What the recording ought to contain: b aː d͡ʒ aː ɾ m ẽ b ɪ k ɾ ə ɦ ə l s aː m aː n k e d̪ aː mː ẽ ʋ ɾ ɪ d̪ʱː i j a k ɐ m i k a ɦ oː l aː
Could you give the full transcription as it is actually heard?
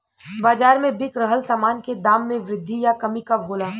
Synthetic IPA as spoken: b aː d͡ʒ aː ɾ m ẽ b ɪ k ɾ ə ɦ ə l s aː m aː n k e d̪ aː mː ẽ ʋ ɾ ɪ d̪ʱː i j a k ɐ m i k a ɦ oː l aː